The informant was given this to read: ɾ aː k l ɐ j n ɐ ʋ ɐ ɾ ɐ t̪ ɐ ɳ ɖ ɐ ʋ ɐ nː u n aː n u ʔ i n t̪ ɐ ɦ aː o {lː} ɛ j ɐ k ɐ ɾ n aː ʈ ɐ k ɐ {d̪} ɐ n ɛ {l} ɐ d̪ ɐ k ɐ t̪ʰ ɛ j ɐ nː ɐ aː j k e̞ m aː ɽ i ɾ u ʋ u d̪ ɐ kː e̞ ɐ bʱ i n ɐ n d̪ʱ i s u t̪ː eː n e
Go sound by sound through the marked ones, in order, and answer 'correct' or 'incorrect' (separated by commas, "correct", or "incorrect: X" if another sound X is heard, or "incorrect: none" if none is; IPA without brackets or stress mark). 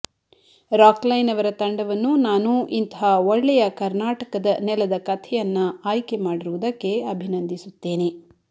incorrect: ɭː, correct, correct